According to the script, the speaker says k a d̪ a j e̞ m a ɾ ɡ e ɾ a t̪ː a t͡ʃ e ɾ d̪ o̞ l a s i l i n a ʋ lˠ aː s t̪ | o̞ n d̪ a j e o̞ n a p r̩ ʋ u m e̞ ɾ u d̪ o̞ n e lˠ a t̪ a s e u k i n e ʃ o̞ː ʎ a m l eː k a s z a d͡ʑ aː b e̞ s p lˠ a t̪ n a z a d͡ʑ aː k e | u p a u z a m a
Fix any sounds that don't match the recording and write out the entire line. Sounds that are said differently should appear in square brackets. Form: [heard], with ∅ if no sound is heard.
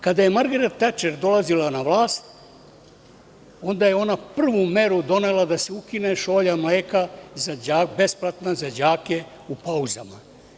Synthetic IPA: k a d̪ a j e̞ m a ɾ ɡ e ɾ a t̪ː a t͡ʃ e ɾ d̪ o̞ l a [z] i l [a] n a ʋ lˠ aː s t̪ | o̞ n d̪ a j e o̞ n a p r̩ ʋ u m e̞ ɾ u d̪ o̞ n e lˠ a [d̪] a s e u k i n e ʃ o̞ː ʎ a m l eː k a [∅] z a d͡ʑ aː b e̞ s p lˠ a t̪ n a z a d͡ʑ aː k e | u p a u z a m a

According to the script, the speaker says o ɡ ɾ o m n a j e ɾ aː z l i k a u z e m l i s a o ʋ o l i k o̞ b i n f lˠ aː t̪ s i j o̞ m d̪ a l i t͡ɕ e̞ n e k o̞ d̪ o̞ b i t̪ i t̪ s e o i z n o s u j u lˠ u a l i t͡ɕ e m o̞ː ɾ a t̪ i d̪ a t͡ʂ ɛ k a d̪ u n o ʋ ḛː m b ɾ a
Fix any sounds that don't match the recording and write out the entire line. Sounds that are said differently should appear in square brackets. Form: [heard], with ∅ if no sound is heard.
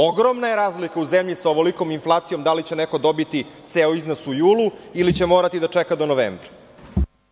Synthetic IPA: o ɡ ɾ o m n a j e ɾ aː z l i k a u z e m [ʎ] i s a o ʋ o l i k o̞ [m] i n f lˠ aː t̪ s i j o̞ m d̪ a l i t͡ɕ e̞ n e k o̞ d̪ o̞ b i t̪ i t̪ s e o i z n o s u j [uː] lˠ u [i] l i t͡ɕ e m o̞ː ɾ a t̪ i d̪ a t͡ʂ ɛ k a d̪ [o] n o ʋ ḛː m b ɾ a

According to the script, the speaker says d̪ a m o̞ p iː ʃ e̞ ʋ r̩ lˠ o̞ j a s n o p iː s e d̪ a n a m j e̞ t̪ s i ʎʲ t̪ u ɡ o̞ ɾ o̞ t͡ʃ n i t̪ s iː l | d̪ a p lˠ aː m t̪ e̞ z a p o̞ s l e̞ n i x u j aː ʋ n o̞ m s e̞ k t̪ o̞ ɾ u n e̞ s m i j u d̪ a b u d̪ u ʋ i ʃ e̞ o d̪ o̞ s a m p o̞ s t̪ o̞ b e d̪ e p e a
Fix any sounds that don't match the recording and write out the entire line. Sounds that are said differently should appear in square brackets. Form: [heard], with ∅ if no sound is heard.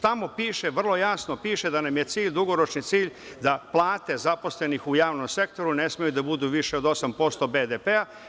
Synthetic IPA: [t̪] a m o̞ p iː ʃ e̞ ʋ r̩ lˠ o̞ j a s n o p iː [ʃ] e d̪ a n a m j e̞ t̪ s [iː] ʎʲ [d̪] u ɡ o̞ ɾ o̞ t͡ʃ n i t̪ s iː [ʎ] | d̪ a p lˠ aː [∅] t̪ e̞ z a p o̞ s l e̞ n i x u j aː ʋ n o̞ m s e̞ k t̪ o̞ ɾ u n e̞ s m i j u d̪ a b u d̪ u ʋ i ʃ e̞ o d̪ o̞ s a m p o̞ s t̪ o̞ b e d̪ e p e a

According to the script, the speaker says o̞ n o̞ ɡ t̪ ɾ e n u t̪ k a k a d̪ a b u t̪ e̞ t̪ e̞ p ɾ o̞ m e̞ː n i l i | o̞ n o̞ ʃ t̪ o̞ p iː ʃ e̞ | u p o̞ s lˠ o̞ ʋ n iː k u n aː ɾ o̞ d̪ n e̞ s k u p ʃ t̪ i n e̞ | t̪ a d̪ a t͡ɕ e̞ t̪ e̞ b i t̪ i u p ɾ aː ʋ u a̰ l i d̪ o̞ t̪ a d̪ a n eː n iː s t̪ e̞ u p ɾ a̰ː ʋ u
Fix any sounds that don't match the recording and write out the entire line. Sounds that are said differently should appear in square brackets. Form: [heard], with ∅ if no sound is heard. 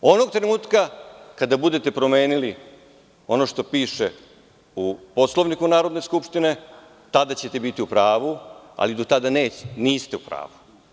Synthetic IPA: o̞ n o̞ ɡ t̪ ɾ e n [uː] t̪ k a k a d̪ a b u [d̪] e̞ t̪ e̞ p ɾ o̞ m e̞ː n i l i | o̞ n o̞ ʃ t̪ o̞ p iː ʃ e̞ | u p o̞ s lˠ o̞ ʋ n [i] k u n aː ɾ o̞ d̪ n e̞ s k u p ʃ t̪ i n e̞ | t̪ a d̪ a t͡ɕ e̞ t̪ e̞ b i t̪ i u p ɾ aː ʋ u a̰ l i d̪ o̞ t̪ a d̪ a n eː n iː s t̪ e̞ u p ɾ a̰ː ʋ u

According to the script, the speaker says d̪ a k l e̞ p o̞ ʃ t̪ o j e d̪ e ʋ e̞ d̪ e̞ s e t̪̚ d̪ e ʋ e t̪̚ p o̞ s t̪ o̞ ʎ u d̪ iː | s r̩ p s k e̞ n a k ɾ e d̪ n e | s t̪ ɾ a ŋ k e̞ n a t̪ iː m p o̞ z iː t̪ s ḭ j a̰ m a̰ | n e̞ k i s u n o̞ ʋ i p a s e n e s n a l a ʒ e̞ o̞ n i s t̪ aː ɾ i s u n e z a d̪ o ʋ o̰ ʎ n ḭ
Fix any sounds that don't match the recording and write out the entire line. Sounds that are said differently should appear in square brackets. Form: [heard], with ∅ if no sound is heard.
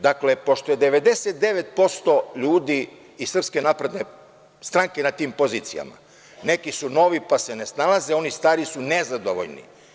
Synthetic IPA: d̪ a k l e̞ p o̞ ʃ t̪ o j e d̪ e ʋ e̞ d̪ e̞ s e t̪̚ d̪ e ʋ e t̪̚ p o̞ s t̪ o̞ ʎ [uː] d̪ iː | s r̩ p s k e̞ n a [p] ɾ e d̪ n e | s t̪ ɾ a ŋ k e̞ n a t̪ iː m p o̞ z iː t̪ s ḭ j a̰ m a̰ | n e̞ k i s u n o̞ ʋ i p a s e n e s n a l a [z] e̞ o̞ n i s t̪ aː ɾ i s u n e z a d̪ o ʋ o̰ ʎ n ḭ

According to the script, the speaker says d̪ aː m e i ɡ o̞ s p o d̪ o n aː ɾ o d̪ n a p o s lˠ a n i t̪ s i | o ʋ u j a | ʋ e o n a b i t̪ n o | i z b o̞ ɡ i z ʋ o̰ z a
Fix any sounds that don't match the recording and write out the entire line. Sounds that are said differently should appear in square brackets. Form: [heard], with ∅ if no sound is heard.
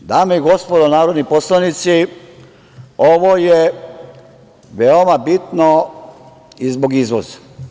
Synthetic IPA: d̪ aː m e i ɡ o̞ s p o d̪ o n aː ɾ o d̪ n [i] p o s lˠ a n i t̪ s i | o ʋ [o] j [e] | ʋ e o [m] a b i t̪ n o | i z b o̞ ɡ i z ʋ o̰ z a

